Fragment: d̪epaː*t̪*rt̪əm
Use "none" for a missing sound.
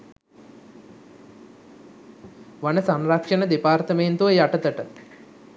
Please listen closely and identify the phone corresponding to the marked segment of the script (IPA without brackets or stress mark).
none